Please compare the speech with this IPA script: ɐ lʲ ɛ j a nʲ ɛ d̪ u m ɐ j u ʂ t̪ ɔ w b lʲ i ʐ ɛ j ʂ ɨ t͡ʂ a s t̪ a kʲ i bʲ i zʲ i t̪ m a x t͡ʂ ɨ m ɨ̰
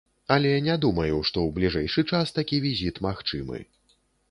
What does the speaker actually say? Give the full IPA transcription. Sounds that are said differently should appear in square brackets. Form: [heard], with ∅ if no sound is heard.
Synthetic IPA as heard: ɐ lʲ ɛ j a nʲ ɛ d̪ u m ɐ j u ʂ t̪ ɔ w b lʲ i ʐ ɛ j ʂ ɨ t͡ʂ a s t̪ a kʲ i [vʲ] i zʲ i t̪ m a x t͡ʂ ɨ m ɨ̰